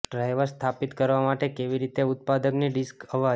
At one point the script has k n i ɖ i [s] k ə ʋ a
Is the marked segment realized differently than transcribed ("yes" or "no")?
no